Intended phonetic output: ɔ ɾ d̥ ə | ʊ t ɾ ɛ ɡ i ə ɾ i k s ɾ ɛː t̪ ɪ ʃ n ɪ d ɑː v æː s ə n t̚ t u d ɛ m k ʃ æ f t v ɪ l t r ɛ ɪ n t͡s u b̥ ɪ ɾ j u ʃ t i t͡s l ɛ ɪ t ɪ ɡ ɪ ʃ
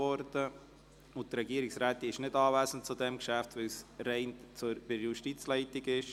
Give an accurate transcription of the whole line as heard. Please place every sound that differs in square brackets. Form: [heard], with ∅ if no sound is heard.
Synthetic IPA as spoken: ɔ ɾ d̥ ə | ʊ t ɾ ɛ ɡ i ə ɾ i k s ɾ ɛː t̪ ɪ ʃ n ɪ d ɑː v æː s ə n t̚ [t͡s] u d ɛ m k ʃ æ f t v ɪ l [s] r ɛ ɪ n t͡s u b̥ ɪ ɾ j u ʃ t i t͡s l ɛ ɪ t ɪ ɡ ɪ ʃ